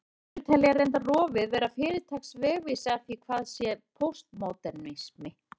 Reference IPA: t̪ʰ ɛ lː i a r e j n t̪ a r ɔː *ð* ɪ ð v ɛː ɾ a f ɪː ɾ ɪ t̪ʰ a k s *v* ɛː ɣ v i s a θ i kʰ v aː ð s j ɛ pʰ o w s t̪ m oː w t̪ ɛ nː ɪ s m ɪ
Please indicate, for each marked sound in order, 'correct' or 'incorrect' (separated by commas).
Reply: incorrect, correct